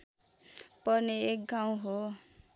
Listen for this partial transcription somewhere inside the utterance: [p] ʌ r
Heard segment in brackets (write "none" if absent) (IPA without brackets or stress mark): p